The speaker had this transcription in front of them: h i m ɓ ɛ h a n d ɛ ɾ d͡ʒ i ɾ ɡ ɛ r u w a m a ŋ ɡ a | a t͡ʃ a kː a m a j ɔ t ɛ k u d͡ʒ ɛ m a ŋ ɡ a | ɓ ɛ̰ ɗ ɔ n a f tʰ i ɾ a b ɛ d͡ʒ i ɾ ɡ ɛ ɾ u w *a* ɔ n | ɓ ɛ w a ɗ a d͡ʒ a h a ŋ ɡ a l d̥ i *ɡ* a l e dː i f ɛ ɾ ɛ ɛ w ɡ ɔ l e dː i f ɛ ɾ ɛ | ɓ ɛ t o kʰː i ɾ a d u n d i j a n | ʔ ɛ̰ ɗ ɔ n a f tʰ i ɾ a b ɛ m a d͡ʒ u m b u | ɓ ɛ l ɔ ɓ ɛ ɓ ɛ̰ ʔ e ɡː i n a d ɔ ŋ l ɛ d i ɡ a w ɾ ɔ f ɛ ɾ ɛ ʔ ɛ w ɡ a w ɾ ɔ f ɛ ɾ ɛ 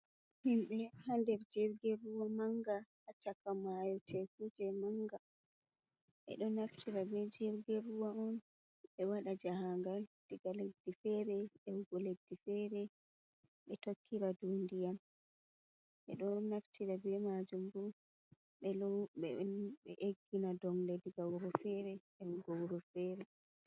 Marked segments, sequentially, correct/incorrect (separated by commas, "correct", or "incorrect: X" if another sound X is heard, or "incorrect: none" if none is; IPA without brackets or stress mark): correct, correct